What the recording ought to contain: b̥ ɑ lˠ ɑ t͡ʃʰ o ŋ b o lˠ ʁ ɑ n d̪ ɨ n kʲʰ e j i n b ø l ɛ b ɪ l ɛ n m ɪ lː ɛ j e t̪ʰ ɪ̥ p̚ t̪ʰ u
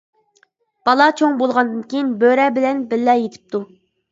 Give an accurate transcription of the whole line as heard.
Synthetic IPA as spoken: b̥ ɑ lˠ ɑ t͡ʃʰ o ŋ b o lˠ ʁ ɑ n d̪ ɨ n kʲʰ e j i n b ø ɾ ɛ b ɪ l ɛ n b ɪ lː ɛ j e t̪ʰ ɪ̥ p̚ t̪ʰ u